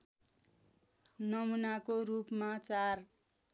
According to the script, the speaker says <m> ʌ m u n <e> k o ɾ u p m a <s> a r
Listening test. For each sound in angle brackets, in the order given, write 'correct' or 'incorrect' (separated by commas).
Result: incorrect, incorrect, incorrect